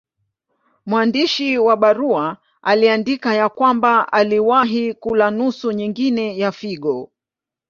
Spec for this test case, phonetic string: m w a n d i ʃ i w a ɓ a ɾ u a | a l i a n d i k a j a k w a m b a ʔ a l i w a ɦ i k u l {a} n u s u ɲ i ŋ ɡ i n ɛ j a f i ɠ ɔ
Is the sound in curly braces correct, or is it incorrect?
correct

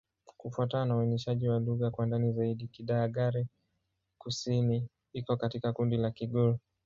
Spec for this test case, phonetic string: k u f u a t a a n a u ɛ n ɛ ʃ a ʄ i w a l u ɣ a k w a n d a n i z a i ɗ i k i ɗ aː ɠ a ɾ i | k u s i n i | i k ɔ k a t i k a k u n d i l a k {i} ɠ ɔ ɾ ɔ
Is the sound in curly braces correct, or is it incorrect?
correct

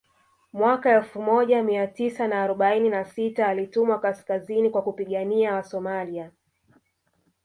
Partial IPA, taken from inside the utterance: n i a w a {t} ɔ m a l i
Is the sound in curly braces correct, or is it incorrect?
incorrect: s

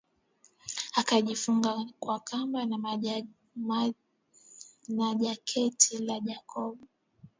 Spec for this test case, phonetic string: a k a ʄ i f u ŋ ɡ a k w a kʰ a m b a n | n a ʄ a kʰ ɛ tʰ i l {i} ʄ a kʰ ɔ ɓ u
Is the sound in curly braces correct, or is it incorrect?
incorrect: a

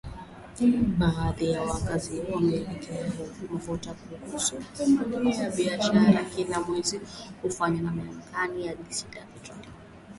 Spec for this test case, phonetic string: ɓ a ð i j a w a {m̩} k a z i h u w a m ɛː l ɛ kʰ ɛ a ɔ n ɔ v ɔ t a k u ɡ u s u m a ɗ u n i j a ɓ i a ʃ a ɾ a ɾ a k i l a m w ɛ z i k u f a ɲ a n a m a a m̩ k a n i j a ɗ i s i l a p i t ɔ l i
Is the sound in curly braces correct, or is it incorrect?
incorrect: none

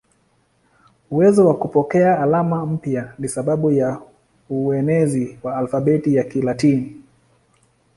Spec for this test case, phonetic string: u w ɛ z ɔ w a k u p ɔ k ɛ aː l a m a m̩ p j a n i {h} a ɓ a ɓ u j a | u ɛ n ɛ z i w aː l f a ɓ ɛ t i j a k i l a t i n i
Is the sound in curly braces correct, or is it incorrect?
incorrect: s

